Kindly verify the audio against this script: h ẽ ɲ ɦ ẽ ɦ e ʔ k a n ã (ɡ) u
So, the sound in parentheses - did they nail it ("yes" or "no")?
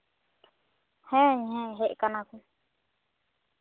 no